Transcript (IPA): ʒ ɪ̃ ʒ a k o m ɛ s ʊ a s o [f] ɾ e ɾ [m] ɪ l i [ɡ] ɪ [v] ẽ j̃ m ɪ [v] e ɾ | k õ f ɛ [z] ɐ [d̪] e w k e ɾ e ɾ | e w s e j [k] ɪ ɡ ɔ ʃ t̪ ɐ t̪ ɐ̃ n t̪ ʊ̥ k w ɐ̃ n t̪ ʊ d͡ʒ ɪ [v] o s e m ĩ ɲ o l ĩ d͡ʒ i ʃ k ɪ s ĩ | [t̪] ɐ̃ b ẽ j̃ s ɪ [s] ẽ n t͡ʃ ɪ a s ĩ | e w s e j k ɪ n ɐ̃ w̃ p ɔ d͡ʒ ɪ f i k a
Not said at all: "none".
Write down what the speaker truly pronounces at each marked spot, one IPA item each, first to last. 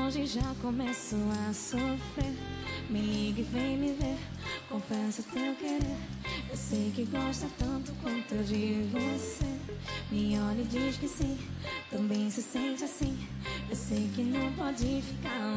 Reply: f, m, ɡ, v, v, s, t̪, k, v, t̪, s

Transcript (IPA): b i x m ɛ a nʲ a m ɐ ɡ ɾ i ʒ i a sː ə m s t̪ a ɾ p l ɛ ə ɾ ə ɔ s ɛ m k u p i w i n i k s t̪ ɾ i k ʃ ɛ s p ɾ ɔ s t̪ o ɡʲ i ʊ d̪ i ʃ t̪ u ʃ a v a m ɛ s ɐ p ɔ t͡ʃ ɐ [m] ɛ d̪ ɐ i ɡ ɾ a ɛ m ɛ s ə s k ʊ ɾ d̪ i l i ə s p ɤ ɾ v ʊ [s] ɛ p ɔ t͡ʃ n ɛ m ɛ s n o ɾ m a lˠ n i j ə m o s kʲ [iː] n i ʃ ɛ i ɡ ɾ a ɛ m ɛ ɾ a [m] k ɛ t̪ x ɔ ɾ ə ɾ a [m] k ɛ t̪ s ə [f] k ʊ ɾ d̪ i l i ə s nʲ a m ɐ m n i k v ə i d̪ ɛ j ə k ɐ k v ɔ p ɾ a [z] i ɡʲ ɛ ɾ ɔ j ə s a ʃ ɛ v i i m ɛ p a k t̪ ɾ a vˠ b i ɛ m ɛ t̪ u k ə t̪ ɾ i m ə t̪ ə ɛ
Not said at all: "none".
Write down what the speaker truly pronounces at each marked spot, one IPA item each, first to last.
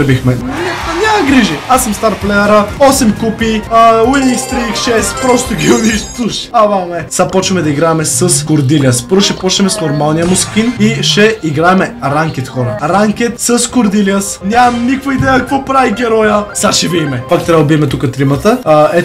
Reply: m, ʃ, i, ŋ, ŋ, s, v

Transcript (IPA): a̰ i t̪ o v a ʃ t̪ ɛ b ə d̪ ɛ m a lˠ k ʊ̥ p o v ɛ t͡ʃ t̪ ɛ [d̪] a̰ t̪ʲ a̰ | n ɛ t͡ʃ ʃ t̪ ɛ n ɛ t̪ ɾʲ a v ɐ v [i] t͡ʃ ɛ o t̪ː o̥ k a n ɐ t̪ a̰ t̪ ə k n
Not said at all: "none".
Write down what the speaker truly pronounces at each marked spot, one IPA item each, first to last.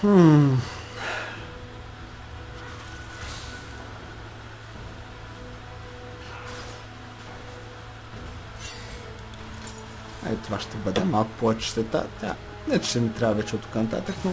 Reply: t̪, ɛ

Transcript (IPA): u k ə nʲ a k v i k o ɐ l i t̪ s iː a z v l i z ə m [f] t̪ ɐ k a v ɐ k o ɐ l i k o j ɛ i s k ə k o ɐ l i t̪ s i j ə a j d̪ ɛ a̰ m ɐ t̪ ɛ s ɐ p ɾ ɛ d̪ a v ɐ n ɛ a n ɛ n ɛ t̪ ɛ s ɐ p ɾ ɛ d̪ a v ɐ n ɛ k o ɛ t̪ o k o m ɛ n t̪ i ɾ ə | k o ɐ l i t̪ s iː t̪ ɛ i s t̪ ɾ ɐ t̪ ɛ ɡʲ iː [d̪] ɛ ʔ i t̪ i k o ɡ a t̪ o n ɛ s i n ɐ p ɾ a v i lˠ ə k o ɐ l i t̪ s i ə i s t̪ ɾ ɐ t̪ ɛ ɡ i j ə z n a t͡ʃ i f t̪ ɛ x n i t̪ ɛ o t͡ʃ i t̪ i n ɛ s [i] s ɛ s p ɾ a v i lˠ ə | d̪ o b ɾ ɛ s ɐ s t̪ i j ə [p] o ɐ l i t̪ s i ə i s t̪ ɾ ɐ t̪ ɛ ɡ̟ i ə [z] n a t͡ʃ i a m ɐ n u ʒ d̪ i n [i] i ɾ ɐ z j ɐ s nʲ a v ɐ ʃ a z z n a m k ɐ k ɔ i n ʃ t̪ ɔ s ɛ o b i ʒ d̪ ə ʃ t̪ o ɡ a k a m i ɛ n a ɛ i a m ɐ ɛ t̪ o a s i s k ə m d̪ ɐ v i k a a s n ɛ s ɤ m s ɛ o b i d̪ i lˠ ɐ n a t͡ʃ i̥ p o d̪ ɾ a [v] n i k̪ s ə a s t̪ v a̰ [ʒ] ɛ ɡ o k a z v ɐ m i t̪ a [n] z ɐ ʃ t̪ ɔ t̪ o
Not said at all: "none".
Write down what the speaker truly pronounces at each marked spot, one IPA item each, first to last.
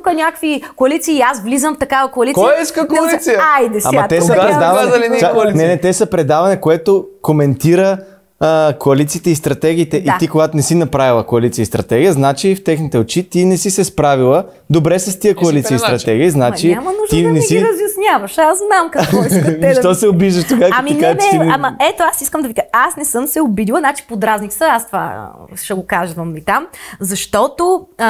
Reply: f, t̪, i, k, z, ɛ, z, ʃ, m

